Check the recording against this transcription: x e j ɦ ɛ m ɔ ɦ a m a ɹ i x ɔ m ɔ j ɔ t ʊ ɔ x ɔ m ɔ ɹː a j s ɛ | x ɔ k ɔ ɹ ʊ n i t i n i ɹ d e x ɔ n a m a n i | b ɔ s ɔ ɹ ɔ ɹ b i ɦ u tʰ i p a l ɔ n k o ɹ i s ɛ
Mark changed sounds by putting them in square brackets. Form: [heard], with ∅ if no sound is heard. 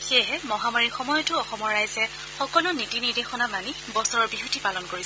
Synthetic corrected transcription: x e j ɦ ɛ m ɔ ɦ a m a ɹ i x ɔ m ɔ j ɔ t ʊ ɔ x ɔ m ɔ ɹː a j [z] ɛ | x ɔ k ɔ [l] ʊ n i t i n i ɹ d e x ɔ n a m a n i | b ɔ s ɔ ɹ ɔ ɹ b i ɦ u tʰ i p a l ɔ n k o ɹ i s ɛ